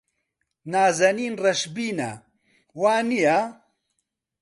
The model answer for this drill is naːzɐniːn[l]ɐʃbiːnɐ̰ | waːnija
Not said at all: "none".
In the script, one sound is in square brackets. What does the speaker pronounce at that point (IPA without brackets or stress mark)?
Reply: r